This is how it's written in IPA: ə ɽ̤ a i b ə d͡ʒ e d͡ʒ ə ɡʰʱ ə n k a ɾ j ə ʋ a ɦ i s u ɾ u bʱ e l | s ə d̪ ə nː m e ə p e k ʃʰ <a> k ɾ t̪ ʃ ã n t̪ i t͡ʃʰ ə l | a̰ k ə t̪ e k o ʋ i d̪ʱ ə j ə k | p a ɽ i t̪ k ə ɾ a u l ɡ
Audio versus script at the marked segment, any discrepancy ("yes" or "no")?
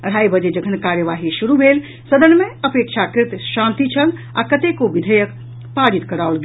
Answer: no